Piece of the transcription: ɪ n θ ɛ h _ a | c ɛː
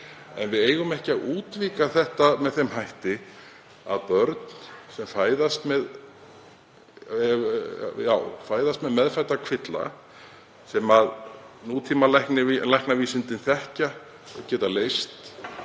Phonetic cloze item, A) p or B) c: B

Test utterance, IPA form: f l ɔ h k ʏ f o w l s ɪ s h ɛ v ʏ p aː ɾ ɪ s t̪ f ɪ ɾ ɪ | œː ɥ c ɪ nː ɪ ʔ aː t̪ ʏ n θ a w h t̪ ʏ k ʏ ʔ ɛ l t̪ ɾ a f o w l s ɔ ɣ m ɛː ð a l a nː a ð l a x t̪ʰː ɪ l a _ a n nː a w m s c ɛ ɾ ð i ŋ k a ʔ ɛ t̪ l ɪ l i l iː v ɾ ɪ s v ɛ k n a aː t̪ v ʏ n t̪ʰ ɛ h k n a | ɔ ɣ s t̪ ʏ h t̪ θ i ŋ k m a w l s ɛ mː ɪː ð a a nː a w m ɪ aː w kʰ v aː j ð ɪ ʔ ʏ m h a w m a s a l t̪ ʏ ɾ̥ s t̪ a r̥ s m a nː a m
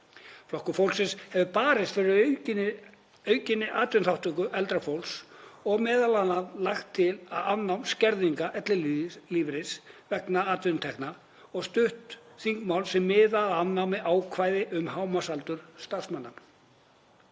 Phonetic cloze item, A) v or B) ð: B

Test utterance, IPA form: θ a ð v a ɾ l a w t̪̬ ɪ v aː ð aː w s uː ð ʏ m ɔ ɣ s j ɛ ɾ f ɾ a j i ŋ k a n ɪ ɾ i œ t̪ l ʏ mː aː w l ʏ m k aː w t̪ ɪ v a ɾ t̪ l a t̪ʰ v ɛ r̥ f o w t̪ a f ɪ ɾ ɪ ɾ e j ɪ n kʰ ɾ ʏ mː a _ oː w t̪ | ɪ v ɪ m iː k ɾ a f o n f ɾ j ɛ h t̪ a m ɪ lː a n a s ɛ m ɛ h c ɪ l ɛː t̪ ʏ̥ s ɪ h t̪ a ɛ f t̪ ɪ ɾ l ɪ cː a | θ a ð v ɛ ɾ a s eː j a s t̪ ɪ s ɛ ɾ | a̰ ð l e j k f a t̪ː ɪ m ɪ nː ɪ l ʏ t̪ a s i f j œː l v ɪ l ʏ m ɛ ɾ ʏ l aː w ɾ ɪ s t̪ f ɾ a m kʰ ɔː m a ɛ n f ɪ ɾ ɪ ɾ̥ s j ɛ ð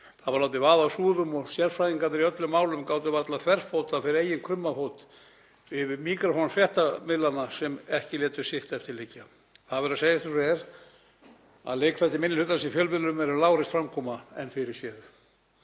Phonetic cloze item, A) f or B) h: A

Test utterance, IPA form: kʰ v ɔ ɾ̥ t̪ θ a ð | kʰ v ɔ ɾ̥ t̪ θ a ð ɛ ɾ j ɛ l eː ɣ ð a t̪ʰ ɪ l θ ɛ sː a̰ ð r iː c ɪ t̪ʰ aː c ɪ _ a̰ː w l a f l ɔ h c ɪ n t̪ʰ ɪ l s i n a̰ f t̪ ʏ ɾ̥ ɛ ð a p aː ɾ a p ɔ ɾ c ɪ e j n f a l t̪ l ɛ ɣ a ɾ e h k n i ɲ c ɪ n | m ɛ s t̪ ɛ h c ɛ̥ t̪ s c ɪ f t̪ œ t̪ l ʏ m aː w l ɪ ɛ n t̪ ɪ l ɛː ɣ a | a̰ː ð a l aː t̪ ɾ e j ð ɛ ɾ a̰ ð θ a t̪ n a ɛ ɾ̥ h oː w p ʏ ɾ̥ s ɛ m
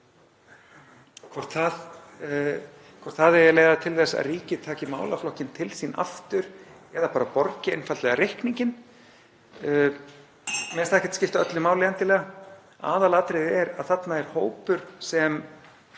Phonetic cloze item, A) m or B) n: A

